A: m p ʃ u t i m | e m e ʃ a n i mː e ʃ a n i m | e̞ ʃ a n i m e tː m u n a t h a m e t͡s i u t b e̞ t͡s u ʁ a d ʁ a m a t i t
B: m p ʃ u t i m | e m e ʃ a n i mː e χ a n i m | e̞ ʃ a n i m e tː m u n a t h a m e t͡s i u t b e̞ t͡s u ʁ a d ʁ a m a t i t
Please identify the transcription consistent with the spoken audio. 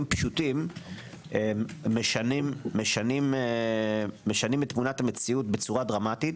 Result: A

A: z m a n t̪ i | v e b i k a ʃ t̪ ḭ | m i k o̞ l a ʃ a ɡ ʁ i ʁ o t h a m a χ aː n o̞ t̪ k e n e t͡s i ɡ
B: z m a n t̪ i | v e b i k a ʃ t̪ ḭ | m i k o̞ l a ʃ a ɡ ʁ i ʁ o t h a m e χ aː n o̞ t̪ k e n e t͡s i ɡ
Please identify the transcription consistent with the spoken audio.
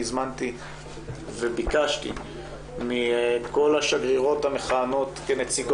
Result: B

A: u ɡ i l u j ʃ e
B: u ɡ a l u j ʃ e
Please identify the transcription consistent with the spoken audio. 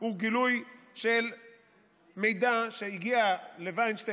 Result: A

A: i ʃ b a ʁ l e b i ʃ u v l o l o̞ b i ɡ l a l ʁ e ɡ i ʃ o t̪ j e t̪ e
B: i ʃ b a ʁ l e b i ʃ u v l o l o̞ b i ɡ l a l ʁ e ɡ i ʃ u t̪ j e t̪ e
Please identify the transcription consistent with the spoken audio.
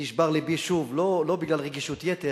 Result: B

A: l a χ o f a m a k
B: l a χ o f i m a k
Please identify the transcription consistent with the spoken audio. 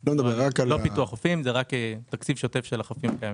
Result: B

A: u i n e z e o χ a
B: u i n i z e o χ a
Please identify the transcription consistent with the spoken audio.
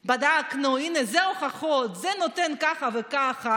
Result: A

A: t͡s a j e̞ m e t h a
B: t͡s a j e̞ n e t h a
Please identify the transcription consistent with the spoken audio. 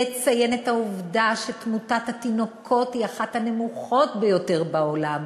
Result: B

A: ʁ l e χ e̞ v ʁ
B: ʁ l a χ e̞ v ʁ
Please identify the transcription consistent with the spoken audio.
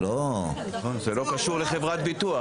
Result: A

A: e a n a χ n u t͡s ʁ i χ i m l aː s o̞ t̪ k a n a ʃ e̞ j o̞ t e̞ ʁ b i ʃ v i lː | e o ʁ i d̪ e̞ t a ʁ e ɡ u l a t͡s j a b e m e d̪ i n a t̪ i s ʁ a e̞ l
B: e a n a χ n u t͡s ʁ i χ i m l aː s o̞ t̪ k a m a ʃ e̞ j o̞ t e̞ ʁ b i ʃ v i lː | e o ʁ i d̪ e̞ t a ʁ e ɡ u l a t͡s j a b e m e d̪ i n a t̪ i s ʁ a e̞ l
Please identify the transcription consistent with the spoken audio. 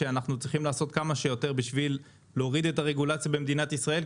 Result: B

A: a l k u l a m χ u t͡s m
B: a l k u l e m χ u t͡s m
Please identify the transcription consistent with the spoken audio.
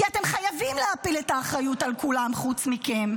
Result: A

